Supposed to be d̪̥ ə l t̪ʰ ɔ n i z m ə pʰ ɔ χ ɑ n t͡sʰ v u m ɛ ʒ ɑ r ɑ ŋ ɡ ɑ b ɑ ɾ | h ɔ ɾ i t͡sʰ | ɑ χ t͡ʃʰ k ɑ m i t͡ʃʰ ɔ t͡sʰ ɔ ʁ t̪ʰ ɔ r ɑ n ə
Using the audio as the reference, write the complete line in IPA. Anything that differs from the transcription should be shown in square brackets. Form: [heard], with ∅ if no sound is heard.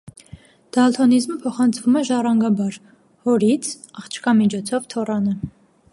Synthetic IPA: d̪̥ [ɑ] l t̪ʰ ɔ n i z m ə pʰ ɔ χ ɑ n t͡sʰ v u m ɛ ʒ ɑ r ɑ ŋ ɡ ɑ b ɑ ɾ | h ɔ ɾ i t͡sʰ | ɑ χ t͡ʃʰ k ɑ m i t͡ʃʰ ɔ t͡sʰ ɔ [v] t̪ʰ ɔ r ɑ n ə